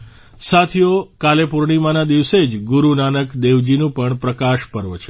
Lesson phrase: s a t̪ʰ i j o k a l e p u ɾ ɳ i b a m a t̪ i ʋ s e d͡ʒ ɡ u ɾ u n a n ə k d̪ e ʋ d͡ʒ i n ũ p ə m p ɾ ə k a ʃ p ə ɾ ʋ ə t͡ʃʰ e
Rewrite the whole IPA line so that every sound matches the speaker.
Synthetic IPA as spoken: s a t̪ʰ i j o k a l e p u ɾ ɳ i m a n a d̪ i ʋ s e d͡ʒ ɡ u ɾ u n a n ə k d̪ e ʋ d͡ʒ i n ũ p ə ɳ p ɾ ə k a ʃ p ə ɾ ʋ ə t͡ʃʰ e